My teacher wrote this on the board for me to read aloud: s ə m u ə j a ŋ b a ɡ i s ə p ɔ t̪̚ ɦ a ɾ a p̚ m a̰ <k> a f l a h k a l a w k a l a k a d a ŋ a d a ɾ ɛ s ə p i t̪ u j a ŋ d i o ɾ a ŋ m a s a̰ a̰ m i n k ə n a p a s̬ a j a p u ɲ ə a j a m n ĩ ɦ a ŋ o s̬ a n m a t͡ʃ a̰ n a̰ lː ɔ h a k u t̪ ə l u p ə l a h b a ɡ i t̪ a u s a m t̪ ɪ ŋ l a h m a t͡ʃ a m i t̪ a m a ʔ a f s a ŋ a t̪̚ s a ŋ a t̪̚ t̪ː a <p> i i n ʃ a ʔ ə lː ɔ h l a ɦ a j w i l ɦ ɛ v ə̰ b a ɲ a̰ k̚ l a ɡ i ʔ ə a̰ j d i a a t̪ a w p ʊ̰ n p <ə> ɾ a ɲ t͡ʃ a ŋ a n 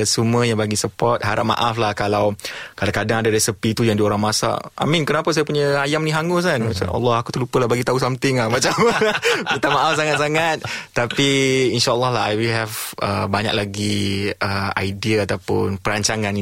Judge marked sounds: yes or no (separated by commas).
no, yes, yes